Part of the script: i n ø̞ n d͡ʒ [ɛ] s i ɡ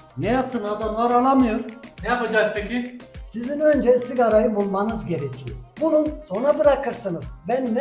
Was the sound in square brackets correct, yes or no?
yes